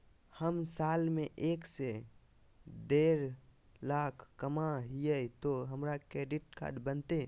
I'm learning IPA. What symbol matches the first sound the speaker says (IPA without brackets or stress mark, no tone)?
h